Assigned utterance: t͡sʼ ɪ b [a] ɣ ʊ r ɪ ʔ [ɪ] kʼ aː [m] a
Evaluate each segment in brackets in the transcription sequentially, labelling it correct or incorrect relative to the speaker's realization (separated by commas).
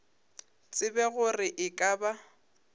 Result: incorrect, correct, incorrect